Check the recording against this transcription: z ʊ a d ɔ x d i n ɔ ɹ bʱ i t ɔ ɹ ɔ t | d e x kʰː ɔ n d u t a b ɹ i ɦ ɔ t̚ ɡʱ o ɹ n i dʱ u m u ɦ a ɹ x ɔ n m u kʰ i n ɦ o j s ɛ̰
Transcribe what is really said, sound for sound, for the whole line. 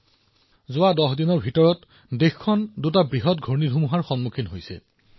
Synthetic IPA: z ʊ a d ɔ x d i n ɔ ɹ bʱ i t ɔ ɹ ɔ t | d e x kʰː ɔ n d u t a b ɹ i ɦ ɔ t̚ ɡʱ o ɹ n i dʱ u m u ɦ a ɹ x ɔ n m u kʰ i n ɦ o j s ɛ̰